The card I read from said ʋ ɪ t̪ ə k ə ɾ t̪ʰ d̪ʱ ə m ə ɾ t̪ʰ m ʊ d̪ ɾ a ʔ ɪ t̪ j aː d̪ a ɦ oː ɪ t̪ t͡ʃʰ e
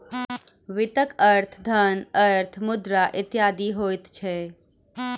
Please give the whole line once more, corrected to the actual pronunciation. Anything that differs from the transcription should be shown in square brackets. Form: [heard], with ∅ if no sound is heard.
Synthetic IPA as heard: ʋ ɪ t̪ ə k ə ɾ t̪ʰ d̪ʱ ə [n] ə ɾ t̪ʰ m ʊ d̪ ɾ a ʔ ɪ t̪ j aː d̪ [i] ɦ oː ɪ t̪ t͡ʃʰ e